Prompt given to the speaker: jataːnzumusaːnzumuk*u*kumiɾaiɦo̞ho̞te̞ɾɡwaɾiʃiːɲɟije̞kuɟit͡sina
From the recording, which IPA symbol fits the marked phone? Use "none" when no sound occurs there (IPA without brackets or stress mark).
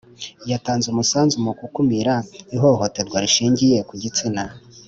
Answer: u